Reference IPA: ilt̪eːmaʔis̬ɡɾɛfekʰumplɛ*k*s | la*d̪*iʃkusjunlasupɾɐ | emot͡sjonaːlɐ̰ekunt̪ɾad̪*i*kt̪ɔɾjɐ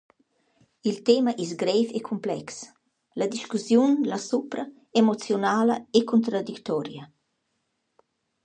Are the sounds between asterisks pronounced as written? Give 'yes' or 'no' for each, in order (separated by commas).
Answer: yes, yes, yes